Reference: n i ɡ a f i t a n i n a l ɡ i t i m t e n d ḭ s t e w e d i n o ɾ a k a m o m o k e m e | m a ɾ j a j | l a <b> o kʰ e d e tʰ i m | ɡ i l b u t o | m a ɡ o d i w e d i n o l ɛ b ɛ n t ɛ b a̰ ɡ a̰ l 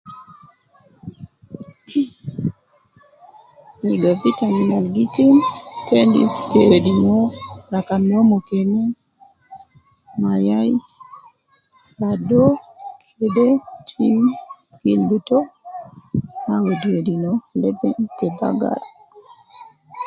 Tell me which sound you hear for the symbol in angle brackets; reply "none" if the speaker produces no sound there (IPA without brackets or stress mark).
d